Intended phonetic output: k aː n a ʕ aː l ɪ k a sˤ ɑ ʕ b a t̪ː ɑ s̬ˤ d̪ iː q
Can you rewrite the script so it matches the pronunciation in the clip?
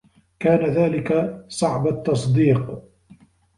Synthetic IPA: k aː n a ð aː l ɪ k a sˤ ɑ ʕ b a t̪ː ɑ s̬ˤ d̪ iː q